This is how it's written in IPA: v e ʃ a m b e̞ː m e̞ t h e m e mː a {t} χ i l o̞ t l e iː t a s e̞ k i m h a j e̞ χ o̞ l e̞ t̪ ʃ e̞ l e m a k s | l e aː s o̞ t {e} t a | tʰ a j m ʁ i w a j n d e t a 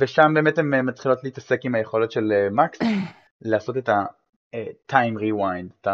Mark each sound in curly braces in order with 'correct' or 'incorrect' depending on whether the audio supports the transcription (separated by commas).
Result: correct, correct